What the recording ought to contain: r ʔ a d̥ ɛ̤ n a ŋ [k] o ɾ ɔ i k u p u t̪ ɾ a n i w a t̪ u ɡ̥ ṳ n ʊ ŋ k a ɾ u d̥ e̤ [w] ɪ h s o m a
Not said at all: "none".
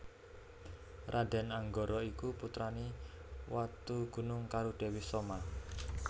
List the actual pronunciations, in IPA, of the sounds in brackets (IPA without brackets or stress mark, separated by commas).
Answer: ɡ, w